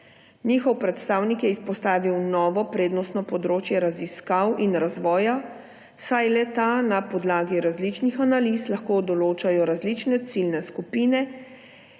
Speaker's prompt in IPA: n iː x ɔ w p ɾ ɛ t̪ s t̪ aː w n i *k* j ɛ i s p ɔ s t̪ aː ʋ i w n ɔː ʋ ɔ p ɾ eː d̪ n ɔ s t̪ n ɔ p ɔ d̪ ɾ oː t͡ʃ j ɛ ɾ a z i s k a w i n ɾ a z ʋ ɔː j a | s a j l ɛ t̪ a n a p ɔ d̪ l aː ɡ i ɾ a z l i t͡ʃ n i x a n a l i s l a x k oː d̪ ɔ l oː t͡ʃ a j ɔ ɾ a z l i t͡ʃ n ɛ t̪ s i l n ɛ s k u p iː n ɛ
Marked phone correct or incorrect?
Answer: correct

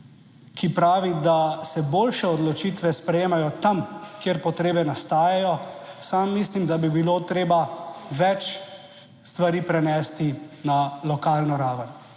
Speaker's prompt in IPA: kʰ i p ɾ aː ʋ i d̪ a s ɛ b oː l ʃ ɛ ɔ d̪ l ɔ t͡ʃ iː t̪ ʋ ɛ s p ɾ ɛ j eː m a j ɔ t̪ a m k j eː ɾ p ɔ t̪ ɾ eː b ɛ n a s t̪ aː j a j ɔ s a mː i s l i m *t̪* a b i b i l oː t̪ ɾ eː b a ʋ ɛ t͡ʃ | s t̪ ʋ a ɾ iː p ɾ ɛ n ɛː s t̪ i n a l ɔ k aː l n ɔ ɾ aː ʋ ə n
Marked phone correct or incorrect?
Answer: incorrect: d̪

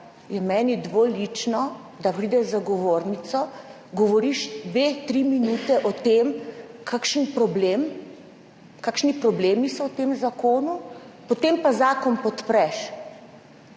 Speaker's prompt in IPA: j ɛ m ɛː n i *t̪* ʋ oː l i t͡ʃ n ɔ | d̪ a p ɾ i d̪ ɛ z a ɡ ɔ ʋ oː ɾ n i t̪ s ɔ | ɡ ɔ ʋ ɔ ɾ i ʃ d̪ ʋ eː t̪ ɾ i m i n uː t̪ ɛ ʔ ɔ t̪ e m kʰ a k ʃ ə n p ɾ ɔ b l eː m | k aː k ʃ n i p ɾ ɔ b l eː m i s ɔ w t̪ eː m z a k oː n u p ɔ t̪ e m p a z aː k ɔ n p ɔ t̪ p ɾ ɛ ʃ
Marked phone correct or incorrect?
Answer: incorrect: d̪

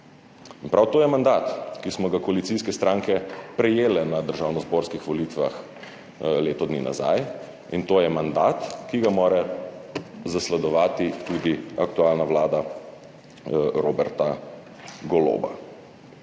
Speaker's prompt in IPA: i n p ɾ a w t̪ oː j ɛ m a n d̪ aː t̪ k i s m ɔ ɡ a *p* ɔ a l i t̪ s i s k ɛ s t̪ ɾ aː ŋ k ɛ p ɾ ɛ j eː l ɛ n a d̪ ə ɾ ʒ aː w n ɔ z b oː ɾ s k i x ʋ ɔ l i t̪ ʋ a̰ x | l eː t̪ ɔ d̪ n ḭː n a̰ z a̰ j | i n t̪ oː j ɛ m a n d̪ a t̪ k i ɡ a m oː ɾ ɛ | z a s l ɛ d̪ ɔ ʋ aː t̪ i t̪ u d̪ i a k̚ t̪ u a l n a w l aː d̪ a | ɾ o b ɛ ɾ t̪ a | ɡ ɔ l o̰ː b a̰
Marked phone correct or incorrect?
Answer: incorrect: k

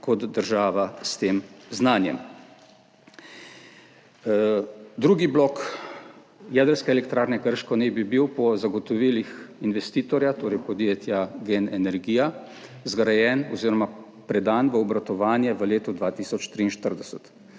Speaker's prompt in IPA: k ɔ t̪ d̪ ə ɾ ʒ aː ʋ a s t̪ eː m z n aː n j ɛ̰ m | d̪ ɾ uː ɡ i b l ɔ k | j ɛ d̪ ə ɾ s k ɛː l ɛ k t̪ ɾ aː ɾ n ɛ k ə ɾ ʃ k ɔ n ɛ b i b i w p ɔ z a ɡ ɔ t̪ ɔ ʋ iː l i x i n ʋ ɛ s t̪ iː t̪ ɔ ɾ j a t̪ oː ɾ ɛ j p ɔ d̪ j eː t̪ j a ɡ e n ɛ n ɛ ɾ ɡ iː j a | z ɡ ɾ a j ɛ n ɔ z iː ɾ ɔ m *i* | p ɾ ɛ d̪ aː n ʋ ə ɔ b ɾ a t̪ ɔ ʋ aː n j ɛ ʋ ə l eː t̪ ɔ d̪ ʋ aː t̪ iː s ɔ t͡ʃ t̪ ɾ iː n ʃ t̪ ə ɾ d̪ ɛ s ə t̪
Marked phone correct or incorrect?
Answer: incorrect: a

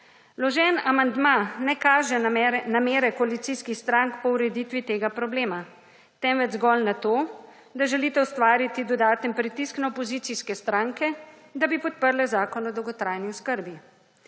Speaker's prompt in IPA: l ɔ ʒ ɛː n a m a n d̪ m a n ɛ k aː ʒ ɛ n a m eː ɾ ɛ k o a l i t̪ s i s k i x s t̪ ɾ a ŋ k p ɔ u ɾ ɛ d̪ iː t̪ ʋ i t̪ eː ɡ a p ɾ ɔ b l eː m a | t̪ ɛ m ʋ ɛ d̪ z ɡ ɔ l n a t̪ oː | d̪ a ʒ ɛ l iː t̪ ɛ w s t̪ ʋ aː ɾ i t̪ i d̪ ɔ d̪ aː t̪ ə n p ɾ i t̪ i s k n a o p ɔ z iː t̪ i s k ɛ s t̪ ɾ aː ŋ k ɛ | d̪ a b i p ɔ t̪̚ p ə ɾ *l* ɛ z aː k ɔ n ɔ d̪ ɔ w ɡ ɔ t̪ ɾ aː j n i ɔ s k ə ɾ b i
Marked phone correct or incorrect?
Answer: correct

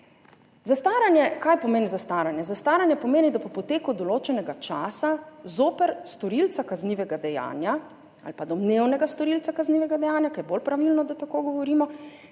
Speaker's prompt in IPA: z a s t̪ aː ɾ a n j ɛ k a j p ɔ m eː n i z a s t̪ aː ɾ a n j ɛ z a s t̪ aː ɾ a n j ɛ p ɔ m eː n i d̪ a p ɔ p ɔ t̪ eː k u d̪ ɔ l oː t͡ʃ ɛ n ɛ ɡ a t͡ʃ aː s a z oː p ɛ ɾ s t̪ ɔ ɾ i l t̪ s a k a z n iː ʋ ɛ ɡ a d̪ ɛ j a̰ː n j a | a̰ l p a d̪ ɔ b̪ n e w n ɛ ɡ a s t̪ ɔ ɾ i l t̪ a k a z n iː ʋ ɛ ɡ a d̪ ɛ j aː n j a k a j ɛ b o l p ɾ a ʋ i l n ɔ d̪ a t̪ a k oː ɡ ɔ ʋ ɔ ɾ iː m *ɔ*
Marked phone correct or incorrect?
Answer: correct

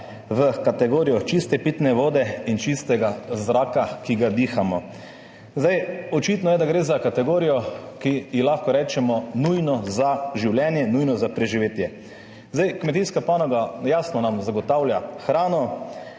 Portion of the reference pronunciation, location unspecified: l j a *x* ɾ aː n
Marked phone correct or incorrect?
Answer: correct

